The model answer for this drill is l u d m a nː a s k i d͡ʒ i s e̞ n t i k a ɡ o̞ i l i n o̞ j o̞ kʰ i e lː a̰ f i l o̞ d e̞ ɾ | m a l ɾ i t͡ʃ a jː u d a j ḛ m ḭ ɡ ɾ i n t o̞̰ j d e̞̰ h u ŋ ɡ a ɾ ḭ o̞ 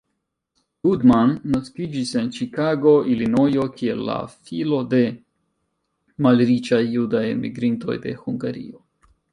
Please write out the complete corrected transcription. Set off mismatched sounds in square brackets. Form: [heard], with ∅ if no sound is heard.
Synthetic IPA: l u d m a nː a s k i d͡ʒ i s e̞ n [t͡ʃ] i k a ɡ o̞ i l i n o̞ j o̞ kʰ i e lː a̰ f i l o̞ d e̞ [∅] | m a l ɾ i t͡ʃ a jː u d a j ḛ m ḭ ɡ ɾ i n t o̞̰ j d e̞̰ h u ŋ ɡ a ɾ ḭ o̞

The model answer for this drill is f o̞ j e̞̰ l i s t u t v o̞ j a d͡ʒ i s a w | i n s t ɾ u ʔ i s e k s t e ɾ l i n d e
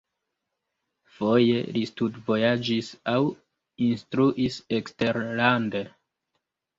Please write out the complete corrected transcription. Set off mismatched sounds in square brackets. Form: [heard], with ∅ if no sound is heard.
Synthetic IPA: f o̞ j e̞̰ l i s t u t v o̞ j a d͡ʒ i s a w | i n s t ɾ u ʔ i s e k s t e ɾ l [a] n d e

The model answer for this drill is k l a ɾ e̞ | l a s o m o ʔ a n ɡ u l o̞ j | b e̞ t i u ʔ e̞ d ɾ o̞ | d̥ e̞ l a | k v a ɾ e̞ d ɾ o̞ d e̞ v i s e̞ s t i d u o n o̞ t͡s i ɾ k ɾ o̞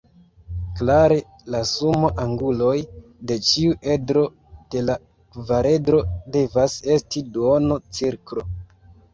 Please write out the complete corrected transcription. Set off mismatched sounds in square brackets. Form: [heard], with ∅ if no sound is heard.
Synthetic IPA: k l a ɾ e̞ | l a s [u] m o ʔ a [ŋ] ɡ u l o̞ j | [d] e̞ [t͡ʃ] i u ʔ e̞ d ɾ o̞ | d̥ e̞ l a | k v a ɾ e̞ d ɾ o̞ d e̞ v [a] s e̞ s t i d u o n o̞ t͡s i ɾ k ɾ o̞

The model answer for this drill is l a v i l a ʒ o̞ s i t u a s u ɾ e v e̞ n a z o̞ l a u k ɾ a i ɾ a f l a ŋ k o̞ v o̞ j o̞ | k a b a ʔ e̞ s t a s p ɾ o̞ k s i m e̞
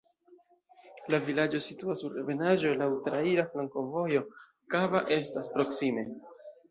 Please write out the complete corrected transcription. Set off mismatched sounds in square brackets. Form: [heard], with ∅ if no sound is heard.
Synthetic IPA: l a v i l a [d͡ʒ] o̞ s i t u a s u ɾ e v e̞ n a [ʒ] o̞ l a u [t] ɾ a i ɾ a f l a ŋ k o̞ v o̞ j o̞ | k a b a ʔ e̞ s t a s p ɾ o̞ k s i m e̞

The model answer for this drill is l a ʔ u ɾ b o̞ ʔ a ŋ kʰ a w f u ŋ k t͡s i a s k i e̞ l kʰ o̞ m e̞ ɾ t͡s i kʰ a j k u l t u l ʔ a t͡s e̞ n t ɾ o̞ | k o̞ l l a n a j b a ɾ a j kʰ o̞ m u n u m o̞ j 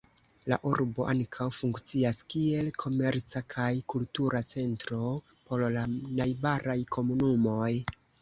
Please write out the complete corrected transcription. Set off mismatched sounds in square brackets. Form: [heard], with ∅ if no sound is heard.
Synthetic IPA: l a ʔ u ɾ b o̞ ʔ a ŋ kʰ a w f u ŋ k t͡s i a s k i e̞ l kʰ o̞ m e̞ ɾ t͡s [a] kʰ a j k u l t u [ɾ] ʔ a t͡s e̞ n t ɾ o̞ | [p] o̞ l l a n a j b a ɾ a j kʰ o̞ m u n u m o̞ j

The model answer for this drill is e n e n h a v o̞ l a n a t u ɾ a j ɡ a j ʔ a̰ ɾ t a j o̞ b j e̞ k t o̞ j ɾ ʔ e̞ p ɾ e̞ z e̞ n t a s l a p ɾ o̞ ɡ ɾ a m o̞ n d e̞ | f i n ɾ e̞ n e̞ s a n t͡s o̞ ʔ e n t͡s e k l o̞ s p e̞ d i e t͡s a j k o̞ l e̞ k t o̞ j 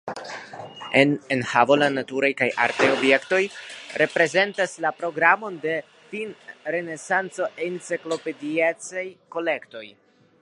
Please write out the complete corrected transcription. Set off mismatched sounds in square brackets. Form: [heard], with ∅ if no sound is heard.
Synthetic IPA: e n e n h a v o̞ l a n a t u ɾ a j [k] a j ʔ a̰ ɾ t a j o̞ b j e̞ k t o̞ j ɾ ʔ e̞ p ɾ e̞ z e̞ n t a s l a p ɾ o̞ ɡ ɾ a m o̞ n d e̞ | f i n ɾ e̞ n e̞ s a n t͡s o̞ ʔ e n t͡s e k l o̞ [∅] p e̞ d i e t͡s a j k o̞ l e̞ k t o̞ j

